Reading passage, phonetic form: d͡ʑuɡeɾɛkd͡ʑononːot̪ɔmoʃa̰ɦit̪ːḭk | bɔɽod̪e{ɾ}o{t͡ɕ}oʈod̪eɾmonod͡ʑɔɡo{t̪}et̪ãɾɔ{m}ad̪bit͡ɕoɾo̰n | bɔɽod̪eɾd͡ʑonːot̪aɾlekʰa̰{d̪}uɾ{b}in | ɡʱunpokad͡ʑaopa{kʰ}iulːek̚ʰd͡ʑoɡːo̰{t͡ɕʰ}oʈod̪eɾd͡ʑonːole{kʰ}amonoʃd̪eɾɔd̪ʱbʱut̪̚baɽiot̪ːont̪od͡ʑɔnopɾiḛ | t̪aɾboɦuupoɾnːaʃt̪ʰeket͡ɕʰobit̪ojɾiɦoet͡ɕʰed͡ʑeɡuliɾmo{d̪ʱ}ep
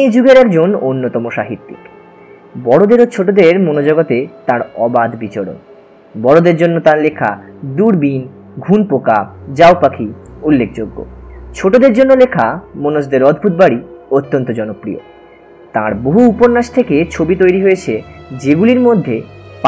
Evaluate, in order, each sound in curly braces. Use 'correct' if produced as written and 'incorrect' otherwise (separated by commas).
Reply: correct, incorrect, correct, incorrect, correct, correct, correct, correct, correct, incorrect